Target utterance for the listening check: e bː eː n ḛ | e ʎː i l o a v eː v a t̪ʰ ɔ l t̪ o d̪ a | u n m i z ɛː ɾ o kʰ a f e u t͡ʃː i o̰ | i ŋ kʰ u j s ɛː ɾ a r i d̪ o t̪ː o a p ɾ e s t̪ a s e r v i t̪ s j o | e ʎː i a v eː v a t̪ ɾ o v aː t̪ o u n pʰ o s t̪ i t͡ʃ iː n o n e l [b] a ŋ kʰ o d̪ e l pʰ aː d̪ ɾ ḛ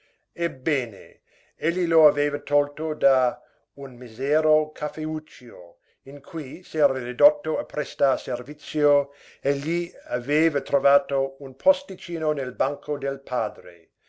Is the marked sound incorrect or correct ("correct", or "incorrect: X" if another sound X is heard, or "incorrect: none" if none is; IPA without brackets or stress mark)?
correct